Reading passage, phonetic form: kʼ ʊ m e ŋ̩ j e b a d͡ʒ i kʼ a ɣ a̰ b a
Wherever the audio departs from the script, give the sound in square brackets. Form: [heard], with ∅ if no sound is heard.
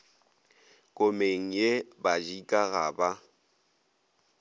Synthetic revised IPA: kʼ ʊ m e ŋ̩ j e b a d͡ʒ i kʼ a ɣ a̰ b a